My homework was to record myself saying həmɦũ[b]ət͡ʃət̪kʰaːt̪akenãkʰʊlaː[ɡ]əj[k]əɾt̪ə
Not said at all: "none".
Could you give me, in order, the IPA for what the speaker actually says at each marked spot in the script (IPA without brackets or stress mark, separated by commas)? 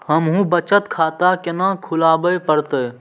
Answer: b, b, p